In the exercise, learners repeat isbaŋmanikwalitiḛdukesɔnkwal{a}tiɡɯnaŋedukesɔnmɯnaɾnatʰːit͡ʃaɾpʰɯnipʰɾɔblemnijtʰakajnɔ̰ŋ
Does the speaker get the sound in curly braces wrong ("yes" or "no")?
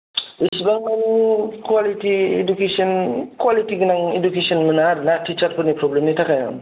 yes